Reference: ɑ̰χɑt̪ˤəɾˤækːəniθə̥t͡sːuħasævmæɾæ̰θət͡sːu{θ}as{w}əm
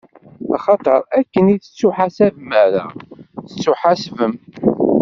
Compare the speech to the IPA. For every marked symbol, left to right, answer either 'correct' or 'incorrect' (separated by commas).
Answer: incorrect, incorrect